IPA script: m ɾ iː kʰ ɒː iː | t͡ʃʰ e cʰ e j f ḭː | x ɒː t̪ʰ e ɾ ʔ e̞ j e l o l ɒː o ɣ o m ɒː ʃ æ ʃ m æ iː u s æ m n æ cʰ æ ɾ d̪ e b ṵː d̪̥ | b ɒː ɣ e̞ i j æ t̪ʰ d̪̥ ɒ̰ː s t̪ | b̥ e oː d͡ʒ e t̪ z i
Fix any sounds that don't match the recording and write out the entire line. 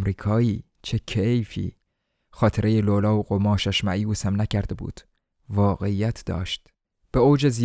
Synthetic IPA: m ɾ iː kʰ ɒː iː | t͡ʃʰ e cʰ e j f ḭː | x ɒː t̪ʰ e ɾ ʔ e̞ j e l o l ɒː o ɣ o m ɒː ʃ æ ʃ m æ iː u s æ m n æ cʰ æ ɾ d̪ e b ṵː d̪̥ | v ɒː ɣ e̞ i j æ t̪ʰ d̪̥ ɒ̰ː ʃ t̪ | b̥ e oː d͡ʒ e z i